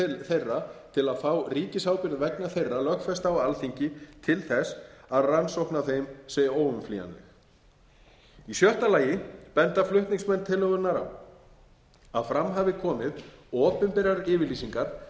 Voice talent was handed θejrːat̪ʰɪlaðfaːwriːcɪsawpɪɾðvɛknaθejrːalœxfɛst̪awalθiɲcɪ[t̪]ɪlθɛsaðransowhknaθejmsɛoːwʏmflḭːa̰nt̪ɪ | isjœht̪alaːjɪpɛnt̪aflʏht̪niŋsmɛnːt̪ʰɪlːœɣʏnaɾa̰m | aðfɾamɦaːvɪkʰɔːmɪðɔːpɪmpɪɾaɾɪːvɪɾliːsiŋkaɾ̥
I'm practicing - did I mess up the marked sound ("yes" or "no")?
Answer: yes